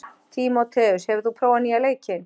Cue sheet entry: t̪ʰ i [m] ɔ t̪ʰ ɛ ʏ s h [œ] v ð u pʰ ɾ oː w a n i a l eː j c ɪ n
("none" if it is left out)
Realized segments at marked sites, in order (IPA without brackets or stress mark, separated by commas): m, ɛ